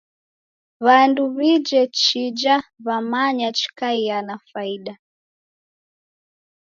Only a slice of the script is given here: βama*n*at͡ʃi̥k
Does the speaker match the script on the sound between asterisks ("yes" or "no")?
no